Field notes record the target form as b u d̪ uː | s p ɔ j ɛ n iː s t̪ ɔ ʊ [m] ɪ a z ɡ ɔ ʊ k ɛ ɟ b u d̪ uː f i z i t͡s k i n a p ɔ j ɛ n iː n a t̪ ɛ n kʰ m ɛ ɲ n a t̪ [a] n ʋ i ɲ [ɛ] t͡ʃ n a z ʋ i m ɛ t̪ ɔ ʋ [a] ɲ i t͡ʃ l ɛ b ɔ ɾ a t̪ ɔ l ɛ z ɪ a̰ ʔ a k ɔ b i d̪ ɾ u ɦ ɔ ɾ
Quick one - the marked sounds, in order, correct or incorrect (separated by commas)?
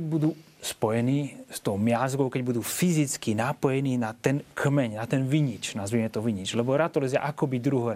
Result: correct, incorrect, incorrect, incorrect